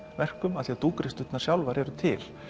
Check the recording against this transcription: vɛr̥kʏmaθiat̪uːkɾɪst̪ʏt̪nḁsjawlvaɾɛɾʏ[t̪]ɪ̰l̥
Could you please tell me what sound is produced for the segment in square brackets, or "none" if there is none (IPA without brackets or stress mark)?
t̪ʰ